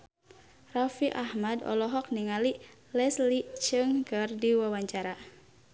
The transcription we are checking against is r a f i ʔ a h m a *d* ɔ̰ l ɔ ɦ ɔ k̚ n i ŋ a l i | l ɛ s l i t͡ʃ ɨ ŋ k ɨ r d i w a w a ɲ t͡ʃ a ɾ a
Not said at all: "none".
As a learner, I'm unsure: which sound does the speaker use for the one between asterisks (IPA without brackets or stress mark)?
d